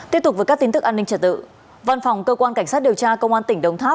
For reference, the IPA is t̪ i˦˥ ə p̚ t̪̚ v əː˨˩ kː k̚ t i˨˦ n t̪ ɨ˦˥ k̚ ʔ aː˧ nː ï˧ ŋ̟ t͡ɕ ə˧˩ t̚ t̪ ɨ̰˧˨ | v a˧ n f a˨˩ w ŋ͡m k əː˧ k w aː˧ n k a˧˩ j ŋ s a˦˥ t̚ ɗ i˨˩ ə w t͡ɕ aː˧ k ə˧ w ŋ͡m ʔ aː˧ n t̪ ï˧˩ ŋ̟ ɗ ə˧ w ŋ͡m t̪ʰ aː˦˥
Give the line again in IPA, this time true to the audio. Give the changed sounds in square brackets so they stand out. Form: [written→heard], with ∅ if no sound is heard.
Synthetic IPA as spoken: t̪ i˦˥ ə p̚ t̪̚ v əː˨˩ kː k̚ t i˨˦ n t̪ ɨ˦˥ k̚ ʔ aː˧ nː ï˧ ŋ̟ t͡ɕ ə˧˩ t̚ t̪ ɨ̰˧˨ | v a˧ n f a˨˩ w ŋ͡m k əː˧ k w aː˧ n k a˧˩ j ŋ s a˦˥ t̚ ɗ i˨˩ ə w t͡ɕ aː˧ k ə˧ w ŋ͡m ʔ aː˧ n t̪ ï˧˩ ŋ̟ ɗ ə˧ w ŋ͡m t̪ʰ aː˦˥